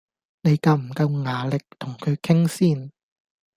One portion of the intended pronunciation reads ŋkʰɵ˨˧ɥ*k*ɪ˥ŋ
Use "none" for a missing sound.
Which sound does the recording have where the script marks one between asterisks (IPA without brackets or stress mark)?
kʰ